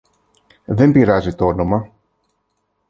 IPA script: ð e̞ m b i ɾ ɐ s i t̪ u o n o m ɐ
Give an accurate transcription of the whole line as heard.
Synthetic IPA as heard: ð e̞ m b i ɾ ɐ z i t̪ o o n o m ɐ